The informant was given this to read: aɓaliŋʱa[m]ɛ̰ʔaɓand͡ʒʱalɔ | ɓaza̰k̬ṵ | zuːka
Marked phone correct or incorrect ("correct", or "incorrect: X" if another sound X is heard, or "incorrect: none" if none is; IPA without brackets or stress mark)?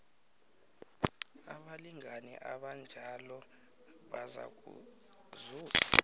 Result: incorrect: n